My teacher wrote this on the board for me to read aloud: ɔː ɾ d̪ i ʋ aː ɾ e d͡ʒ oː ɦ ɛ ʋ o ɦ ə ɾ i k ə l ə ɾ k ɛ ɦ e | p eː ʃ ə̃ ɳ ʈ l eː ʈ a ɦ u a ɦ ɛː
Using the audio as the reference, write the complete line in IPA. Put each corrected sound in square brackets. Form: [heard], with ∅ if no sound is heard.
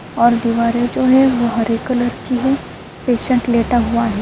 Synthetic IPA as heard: ɔː ɾ d̪ i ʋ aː ɾ e d͡ʒ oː ɦ ɛ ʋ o ɦ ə ɾ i k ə l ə ɾ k [i] ɦ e | p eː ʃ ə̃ ɳ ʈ l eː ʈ a ɦ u a ɦ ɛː